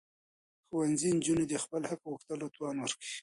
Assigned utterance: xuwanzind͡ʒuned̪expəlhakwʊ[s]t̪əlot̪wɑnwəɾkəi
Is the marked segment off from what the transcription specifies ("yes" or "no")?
yes